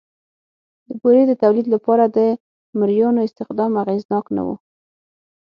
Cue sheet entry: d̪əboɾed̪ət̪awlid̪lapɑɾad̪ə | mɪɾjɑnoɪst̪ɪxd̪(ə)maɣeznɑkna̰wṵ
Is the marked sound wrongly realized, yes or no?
yes